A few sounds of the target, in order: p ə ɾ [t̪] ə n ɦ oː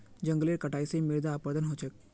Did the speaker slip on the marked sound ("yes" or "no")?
yes